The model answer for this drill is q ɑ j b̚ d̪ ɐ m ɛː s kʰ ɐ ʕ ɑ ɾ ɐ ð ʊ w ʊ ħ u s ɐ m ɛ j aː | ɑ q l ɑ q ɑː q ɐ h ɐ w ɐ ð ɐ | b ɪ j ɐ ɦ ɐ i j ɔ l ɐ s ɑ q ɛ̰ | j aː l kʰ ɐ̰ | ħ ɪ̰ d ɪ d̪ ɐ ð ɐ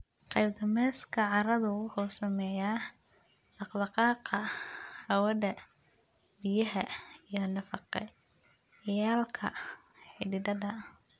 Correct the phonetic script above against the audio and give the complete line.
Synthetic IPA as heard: q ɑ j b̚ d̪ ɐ m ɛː s kʰ ɐ ʕ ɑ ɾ ɐ ð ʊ w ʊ ħ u s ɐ m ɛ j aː | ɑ q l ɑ q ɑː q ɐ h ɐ w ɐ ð ɐ | b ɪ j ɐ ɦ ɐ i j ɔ l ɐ f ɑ q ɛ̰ | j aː l kʰ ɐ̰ | ħ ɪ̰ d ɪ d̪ ɐ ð ɐ